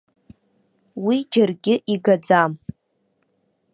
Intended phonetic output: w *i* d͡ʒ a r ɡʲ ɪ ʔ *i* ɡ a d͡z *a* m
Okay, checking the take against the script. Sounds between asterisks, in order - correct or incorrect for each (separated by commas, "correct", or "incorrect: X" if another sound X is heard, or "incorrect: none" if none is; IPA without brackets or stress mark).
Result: correct, correct, correct